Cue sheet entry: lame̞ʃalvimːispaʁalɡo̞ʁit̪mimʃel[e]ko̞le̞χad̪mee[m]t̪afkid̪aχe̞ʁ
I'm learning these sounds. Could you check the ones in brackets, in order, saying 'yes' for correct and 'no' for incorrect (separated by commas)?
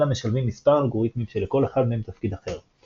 yes, yes